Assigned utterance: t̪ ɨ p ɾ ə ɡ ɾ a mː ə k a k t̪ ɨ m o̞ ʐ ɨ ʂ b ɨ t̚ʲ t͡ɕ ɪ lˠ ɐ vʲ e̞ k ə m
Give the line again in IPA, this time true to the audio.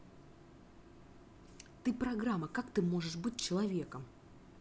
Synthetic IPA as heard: t̪ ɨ p ɾ ɐ ɡ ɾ a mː ə k a k t̪ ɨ m o̞ ʐ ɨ ʂ b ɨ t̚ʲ t͡ɕ ɪ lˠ ɐ vʲ e̞ k ə m